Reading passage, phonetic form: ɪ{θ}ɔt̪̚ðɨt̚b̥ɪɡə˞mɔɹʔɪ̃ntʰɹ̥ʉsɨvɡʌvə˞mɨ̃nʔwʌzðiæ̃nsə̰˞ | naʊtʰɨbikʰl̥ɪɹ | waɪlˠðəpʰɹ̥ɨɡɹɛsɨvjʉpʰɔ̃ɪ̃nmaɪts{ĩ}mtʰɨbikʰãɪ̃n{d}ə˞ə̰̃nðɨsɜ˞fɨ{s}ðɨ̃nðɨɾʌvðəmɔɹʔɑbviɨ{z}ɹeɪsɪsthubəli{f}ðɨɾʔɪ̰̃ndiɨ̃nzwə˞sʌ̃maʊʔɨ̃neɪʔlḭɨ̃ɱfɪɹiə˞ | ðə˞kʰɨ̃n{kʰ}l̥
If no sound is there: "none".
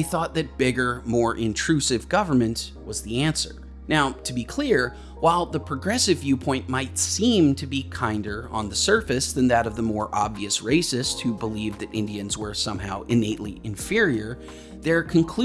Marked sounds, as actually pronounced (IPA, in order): θ, ĩ, d, s, s, v, kʰ

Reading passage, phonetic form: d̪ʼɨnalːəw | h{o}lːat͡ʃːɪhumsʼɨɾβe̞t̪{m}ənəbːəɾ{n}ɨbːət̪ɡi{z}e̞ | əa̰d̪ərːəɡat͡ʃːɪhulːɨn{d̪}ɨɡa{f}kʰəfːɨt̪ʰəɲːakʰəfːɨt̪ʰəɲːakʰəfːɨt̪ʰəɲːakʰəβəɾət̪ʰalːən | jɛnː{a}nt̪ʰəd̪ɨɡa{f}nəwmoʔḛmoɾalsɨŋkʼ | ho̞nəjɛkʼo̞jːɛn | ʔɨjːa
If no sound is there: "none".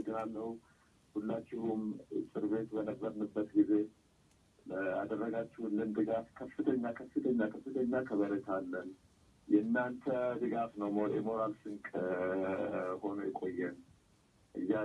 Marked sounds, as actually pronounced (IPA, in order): u, b, n, z, d̪, f, a, f

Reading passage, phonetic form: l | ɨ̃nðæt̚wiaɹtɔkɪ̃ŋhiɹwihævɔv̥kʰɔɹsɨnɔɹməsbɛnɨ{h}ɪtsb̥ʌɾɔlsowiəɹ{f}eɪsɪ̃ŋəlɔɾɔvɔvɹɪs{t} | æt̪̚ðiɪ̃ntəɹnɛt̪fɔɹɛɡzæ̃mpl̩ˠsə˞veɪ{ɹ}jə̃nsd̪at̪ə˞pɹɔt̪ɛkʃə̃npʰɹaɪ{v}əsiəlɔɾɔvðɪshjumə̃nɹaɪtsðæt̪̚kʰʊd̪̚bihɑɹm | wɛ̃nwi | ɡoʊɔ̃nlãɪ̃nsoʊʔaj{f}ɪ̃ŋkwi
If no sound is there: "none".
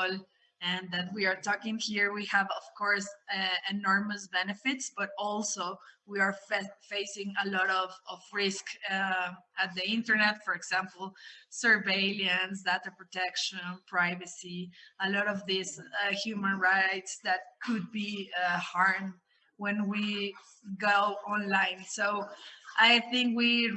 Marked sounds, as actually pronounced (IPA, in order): f, f, k, l, v, θ

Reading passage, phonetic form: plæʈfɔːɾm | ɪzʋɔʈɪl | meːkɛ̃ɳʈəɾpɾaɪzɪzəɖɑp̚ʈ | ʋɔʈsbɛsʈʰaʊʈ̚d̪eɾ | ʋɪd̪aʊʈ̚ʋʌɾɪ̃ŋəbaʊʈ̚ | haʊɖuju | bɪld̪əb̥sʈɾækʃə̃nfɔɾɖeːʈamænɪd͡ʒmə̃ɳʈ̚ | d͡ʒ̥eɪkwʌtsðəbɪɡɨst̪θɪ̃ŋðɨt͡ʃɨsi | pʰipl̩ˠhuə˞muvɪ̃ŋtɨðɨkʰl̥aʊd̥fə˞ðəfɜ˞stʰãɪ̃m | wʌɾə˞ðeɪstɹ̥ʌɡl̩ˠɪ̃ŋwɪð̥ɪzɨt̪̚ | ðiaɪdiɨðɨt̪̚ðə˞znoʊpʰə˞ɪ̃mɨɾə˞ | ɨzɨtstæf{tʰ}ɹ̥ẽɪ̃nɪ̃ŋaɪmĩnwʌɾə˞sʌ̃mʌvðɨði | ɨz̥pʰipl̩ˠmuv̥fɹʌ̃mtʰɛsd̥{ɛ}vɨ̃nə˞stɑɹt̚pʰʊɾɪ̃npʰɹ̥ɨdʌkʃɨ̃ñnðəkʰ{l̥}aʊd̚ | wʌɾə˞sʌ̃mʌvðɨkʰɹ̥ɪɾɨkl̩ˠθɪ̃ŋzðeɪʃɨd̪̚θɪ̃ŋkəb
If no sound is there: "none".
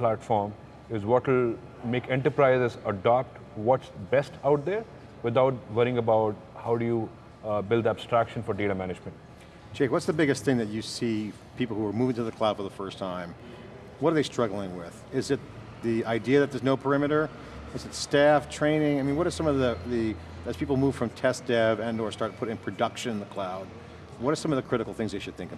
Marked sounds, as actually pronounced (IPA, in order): tʰ, ɛ, l̥

